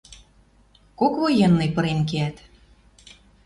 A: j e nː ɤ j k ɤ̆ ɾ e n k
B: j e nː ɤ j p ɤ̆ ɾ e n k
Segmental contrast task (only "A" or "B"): B